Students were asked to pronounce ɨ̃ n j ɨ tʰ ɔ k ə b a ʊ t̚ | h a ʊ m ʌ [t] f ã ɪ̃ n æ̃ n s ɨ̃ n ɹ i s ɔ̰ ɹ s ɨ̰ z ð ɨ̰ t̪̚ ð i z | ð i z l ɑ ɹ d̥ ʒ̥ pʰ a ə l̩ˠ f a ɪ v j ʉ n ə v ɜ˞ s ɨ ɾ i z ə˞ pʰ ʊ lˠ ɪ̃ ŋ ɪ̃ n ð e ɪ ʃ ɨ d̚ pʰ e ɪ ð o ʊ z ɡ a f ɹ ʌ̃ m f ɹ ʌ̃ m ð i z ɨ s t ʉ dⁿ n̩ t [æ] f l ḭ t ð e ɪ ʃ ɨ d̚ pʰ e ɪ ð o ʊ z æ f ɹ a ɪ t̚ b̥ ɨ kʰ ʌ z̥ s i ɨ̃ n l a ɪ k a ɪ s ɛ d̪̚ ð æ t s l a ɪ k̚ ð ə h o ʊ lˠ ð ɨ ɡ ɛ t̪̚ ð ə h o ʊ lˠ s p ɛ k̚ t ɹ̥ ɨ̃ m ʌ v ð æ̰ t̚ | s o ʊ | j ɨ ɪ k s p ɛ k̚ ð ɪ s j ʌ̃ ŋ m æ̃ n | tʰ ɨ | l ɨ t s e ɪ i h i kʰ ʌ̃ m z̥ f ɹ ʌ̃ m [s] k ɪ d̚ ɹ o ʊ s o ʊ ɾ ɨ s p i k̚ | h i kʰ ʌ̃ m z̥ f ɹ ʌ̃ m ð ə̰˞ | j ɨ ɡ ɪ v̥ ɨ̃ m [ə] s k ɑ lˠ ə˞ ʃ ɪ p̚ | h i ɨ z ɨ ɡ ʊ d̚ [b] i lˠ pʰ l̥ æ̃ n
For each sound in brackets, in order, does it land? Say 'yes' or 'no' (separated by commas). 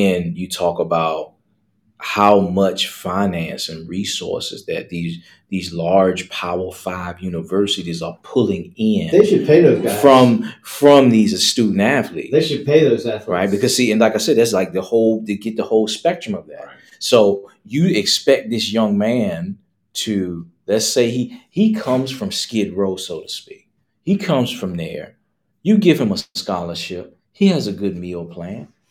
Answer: no, yes, yes, yes, no